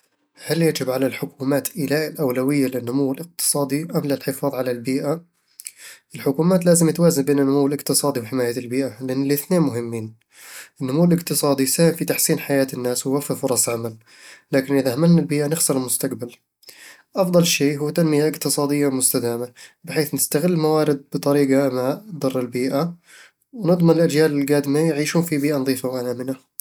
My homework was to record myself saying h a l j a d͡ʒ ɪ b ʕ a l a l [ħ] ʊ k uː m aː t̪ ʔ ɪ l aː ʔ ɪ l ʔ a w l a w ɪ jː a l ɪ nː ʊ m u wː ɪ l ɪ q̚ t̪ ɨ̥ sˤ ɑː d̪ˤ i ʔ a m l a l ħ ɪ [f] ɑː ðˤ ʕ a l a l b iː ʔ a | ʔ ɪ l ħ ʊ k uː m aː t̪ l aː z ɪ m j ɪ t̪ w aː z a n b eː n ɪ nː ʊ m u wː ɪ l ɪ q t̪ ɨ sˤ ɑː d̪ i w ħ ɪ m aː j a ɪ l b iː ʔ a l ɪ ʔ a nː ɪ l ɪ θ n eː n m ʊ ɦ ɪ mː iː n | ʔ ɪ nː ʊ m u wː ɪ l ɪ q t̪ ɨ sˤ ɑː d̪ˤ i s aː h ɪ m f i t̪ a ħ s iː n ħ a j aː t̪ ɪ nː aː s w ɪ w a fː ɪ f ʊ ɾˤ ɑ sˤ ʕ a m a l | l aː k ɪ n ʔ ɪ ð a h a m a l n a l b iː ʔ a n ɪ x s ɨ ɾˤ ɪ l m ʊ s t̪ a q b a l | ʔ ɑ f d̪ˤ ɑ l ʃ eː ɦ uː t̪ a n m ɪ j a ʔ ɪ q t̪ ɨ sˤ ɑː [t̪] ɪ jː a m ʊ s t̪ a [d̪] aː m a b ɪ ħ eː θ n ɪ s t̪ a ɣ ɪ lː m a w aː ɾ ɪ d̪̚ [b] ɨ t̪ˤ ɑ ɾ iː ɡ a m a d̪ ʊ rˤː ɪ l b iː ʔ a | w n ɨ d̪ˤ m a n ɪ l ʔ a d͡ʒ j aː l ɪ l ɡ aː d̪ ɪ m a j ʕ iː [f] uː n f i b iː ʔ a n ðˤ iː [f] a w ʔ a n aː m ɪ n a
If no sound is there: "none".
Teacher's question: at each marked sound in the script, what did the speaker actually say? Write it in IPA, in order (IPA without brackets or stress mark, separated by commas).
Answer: ħ, f, d̪, d̪, b, ʃ, f